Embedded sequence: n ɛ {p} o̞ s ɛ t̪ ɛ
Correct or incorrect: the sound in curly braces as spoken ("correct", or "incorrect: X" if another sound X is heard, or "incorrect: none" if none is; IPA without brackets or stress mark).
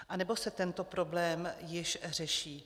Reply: incorrect: b